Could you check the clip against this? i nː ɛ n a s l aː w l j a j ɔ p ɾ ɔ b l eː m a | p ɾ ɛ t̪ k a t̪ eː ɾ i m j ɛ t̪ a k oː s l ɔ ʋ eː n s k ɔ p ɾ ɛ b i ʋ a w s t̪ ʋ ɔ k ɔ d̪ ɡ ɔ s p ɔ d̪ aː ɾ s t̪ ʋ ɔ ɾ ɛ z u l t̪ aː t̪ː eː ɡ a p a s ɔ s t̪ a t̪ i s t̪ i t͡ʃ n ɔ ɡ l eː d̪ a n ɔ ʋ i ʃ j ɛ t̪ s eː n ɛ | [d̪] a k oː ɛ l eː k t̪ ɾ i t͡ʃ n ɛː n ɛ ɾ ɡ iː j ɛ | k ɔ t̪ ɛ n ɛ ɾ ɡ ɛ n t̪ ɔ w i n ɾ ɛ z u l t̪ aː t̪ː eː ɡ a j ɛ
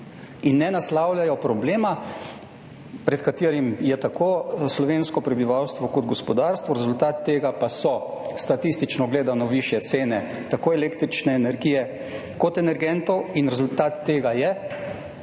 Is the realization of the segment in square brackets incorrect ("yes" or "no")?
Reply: yes